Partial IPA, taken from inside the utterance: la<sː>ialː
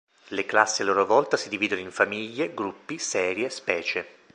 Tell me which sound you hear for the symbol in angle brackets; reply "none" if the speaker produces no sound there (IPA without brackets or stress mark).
sː